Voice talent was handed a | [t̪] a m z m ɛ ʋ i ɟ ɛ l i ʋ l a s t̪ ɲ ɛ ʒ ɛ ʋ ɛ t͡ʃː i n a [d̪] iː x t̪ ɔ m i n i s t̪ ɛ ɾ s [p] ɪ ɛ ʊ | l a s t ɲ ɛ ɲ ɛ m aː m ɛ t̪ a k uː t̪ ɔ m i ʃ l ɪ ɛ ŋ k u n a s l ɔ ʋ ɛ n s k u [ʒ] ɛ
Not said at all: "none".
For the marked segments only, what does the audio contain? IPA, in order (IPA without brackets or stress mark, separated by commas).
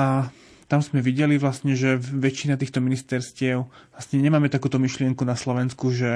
t̪, t̪, c, ʒ